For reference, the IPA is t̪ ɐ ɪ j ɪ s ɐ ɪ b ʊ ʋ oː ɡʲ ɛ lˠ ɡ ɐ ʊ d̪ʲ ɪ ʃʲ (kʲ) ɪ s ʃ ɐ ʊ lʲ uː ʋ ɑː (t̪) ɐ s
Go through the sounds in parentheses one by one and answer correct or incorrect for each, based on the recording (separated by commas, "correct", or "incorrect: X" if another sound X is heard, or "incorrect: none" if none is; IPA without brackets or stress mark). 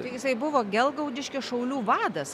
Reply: correct, incorrect: d̪